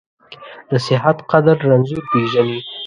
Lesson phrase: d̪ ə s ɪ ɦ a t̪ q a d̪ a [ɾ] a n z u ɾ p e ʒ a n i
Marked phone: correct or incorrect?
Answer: incorrect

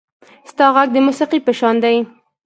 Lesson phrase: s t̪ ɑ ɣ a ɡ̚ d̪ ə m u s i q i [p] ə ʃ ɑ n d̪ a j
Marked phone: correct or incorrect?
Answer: correct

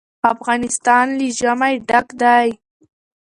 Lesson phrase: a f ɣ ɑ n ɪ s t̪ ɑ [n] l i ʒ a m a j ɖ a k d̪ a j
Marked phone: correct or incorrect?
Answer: correct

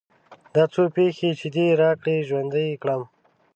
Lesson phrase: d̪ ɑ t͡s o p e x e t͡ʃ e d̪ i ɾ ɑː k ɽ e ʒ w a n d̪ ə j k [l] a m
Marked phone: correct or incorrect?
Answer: incorrect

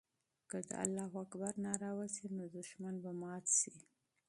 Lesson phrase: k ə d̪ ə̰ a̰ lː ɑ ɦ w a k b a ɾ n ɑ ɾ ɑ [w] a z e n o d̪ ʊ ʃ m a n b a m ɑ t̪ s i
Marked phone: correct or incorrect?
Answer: correct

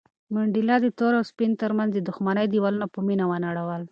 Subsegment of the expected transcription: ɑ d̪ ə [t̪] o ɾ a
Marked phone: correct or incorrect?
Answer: correct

